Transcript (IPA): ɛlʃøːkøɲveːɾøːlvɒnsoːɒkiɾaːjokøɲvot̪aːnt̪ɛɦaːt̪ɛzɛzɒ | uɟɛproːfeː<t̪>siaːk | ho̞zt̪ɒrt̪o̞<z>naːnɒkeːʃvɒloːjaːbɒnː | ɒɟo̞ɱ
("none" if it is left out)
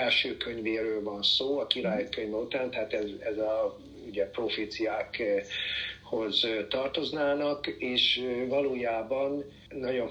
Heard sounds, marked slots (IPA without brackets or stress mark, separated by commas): t̪, z